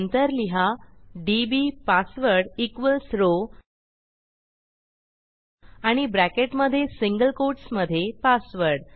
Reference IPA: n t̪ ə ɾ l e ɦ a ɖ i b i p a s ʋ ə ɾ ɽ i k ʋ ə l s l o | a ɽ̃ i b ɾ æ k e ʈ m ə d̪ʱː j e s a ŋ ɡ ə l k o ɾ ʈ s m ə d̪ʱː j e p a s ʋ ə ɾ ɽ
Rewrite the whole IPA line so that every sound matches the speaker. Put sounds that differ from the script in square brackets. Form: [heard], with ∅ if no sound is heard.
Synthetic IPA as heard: n t̪ ə ɾ l [i] ɦ a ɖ i b i p a s ʋ ə ɾ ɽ i k ʋ ə l s [ɾ] o | a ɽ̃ i b ɾ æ k e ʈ m ə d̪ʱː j e s [i] ŋ ɡ ə l k o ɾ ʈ s m ə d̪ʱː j e p a s ʋ ə ɾ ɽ